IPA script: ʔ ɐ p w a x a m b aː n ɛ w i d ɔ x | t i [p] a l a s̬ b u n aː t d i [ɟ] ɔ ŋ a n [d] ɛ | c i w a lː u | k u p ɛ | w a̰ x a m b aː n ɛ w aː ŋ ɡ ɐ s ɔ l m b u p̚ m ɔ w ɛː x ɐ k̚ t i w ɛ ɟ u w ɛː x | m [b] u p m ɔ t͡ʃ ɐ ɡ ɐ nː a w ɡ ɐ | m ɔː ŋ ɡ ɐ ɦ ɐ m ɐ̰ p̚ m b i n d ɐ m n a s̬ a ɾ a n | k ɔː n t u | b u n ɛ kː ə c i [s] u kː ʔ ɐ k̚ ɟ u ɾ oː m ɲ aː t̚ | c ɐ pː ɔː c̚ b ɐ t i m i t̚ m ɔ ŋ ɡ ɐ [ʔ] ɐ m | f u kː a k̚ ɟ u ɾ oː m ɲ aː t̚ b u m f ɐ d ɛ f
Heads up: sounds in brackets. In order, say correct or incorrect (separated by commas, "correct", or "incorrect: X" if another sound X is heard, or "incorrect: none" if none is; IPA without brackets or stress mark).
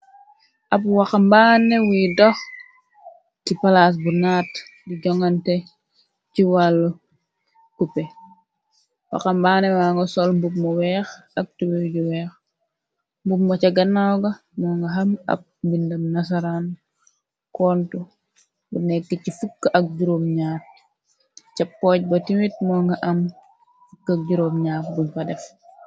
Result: correct, correct, incorrect: t, correct, incorrect: f, correct